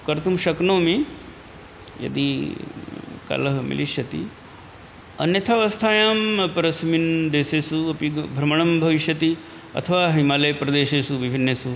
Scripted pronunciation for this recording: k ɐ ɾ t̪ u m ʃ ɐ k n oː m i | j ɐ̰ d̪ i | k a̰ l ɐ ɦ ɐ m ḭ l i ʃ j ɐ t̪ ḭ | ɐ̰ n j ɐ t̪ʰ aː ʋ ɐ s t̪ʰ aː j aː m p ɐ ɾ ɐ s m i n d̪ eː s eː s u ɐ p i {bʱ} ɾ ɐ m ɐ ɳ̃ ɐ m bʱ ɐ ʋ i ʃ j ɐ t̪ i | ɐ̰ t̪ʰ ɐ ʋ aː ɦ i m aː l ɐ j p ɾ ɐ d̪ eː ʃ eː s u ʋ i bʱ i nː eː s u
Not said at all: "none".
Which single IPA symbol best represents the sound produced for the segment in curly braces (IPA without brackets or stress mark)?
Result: bʱ